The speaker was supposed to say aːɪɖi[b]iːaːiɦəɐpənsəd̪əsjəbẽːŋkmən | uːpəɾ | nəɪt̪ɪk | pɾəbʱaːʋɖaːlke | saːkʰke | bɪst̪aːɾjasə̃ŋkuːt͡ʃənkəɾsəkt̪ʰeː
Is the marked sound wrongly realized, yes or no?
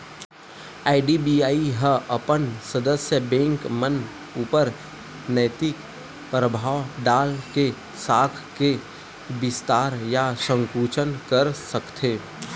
no